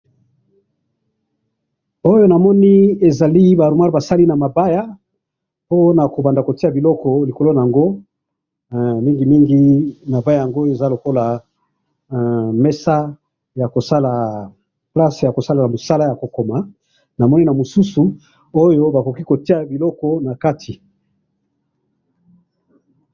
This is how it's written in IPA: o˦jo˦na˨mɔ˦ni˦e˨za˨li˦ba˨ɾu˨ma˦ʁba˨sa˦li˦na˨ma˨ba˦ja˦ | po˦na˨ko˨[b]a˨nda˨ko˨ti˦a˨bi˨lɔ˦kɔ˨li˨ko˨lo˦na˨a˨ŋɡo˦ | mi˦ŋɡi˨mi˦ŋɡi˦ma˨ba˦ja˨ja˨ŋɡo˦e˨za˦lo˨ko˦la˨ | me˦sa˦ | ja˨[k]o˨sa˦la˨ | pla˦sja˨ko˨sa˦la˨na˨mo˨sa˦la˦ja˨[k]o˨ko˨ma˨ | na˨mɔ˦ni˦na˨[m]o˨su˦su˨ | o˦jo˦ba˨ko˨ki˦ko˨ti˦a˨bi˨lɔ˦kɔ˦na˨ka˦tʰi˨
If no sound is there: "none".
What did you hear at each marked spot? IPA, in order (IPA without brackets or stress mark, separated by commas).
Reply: b, k, k, m